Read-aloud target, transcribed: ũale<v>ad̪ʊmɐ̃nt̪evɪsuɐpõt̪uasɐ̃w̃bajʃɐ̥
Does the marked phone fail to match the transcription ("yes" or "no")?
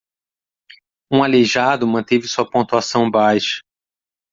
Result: yes